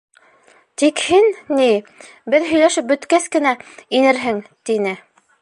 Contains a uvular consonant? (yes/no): no